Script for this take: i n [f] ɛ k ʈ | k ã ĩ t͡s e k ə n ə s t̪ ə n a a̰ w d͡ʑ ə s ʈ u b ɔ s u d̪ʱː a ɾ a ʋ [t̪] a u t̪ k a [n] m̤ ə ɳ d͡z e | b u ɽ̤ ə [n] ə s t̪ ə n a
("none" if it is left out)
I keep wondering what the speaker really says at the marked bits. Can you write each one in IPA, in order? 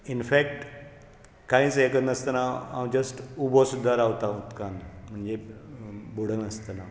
f, t̪, n, n

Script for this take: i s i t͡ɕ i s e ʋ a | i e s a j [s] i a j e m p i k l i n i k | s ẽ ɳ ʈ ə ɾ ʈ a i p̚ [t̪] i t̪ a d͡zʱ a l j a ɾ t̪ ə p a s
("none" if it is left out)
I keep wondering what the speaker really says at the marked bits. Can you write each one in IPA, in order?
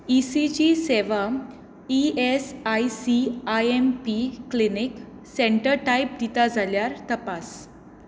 s, d̪

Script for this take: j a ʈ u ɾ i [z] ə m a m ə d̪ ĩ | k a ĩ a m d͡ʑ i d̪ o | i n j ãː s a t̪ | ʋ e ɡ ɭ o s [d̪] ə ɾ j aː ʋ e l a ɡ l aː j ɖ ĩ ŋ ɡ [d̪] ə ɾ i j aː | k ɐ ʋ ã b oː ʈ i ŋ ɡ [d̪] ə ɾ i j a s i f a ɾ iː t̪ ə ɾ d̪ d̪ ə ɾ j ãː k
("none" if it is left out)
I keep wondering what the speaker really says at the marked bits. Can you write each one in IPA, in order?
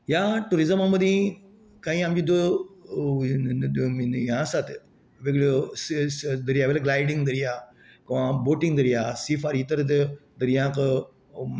z, d̪, d̪, d̪

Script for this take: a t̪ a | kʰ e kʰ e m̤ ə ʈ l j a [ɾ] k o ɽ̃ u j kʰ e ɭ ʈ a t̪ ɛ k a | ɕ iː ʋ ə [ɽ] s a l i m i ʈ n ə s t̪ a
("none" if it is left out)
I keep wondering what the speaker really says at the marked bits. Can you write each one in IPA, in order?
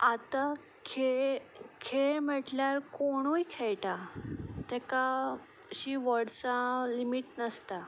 ɾ, ɽ

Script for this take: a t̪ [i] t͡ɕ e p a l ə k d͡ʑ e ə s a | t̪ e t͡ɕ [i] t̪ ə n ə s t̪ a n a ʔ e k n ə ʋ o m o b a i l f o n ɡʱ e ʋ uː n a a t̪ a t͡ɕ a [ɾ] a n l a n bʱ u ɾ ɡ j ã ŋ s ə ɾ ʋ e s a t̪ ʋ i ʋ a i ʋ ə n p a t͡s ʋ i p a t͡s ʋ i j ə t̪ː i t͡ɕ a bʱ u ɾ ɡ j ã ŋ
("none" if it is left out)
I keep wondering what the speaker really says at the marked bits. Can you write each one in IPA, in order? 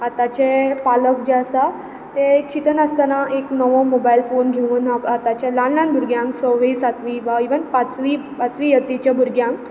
a, i, l

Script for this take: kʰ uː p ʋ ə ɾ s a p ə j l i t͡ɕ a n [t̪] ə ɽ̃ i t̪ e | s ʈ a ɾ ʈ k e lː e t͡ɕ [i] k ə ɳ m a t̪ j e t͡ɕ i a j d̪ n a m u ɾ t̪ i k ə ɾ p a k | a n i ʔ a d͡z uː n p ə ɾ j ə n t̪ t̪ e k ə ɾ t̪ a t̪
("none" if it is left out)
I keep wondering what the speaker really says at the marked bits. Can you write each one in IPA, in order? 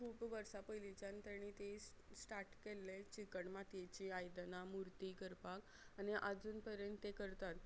t̪, i

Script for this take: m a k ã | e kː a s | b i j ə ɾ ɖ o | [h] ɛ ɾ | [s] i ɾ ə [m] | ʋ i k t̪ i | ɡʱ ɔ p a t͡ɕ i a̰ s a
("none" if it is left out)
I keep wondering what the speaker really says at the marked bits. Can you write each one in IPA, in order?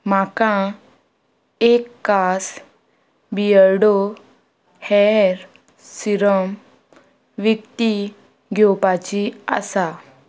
h, s, m

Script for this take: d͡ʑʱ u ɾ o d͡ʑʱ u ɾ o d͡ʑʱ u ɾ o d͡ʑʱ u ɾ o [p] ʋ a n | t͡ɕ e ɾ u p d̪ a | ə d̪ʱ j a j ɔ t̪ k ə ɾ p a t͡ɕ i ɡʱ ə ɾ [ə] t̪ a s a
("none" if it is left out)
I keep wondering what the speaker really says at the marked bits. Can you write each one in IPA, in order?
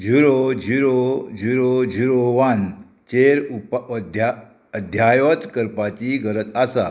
none, ə

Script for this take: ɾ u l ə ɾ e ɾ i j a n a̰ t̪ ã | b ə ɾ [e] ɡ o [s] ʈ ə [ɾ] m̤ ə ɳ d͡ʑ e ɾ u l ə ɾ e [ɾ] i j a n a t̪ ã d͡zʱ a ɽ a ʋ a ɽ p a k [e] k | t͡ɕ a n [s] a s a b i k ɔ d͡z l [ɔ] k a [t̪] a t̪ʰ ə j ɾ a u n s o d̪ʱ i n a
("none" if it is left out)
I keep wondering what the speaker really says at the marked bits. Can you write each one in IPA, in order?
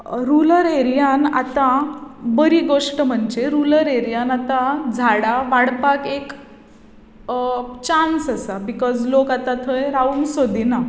i, ʂ, none, ɾ, e, s, o, t̪

